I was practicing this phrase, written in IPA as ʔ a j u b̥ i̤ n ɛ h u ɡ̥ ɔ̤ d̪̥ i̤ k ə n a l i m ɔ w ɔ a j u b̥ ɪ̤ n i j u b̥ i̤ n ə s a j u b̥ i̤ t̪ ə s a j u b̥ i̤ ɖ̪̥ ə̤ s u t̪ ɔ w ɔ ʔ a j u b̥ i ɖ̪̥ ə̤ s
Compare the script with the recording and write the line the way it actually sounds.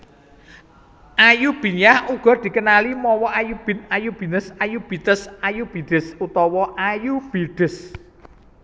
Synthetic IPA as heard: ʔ a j u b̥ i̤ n a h u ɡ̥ ɔ̤ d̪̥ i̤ k ə n a l i m ɔ w ɔ a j u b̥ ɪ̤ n a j u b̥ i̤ n ə s a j u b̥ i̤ t̪ ə s a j u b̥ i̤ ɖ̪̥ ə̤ s u t̪ ɔ w ɔ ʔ a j u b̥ i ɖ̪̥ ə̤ s